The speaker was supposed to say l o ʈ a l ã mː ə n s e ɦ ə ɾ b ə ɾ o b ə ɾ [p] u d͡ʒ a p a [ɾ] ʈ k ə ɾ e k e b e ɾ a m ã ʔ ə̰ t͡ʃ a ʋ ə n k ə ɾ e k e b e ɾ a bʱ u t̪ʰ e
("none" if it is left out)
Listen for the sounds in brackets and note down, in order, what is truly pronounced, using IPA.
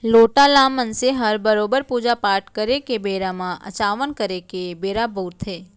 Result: p, ɾ

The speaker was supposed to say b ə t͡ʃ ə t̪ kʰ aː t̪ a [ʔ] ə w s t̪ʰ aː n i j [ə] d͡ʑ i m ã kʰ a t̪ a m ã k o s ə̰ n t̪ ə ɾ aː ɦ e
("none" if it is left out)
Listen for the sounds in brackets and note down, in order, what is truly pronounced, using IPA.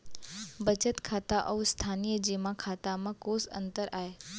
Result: ʔ, ə

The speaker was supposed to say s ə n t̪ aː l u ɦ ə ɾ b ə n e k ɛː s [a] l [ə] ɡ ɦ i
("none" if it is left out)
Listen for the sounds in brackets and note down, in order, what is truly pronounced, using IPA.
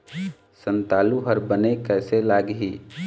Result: e, a

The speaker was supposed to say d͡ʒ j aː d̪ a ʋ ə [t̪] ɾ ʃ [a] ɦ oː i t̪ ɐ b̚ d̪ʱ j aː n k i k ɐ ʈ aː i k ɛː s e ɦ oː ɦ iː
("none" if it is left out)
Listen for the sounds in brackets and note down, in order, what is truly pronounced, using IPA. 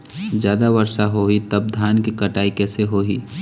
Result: none, a

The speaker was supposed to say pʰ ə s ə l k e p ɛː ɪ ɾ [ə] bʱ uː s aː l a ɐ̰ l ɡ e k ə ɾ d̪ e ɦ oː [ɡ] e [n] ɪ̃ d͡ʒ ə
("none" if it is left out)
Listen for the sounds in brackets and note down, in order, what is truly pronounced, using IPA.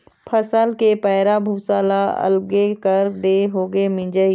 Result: a, ɡ, m

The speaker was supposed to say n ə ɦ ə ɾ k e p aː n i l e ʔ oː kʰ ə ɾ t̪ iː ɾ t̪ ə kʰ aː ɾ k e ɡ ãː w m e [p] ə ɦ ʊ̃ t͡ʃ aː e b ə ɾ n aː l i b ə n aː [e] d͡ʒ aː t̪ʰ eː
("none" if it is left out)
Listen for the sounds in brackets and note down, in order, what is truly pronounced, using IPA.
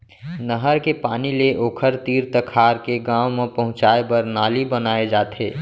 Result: p, e

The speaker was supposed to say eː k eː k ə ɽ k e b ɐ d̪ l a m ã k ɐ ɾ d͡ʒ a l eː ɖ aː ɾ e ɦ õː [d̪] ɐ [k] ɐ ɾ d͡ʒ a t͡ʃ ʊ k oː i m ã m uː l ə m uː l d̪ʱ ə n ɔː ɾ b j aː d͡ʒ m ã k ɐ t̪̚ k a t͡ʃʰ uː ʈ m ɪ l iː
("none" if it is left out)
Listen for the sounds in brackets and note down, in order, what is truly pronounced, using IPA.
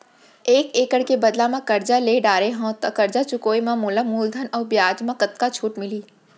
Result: t̪, k

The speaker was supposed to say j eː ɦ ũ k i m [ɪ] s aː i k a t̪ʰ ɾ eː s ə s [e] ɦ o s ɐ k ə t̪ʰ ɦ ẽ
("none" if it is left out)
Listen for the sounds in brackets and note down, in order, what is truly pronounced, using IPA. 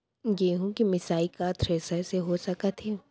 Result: ɪ, e

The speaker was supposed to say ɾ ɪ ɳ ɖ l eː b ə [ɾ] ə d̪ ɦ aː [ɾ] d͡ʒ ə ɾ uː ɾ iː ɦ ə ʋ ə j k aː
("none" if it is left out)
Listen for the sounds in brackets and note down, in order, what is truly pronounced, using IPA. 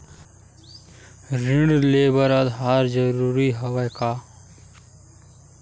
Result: ɾ, ɾ

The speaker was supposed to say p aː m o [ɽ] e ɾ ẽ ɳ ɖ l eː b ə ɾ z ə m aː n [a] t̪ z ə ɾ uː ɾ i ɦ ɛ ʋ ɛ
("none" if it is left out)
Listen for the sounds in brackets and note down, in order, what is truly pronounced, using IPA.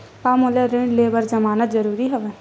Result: l, ə

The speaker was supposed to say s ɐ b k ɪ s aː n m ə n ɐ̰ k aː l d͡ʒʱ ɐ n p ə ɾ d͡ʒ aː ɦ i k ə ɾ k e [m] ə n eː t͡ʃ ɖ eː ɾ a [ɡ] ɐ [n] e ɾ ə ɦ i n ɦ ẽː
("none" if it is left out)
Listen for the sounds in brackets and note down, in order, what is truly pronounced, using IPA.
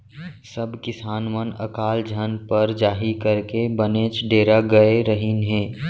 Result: b, ɡ, none

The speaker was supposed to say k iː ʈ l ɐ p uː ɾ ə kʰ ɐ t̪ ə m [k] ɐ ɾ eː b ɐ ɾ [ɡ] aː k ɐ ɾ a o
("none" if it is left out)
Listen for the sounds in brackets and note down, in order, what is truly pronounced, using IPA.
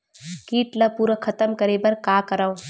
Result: k, k

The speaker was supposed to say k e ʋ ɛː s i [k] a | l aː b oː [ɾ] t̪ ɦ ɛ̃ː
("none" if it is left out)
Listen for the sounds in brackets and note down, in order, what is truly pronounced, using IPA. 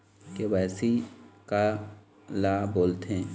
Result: k, l

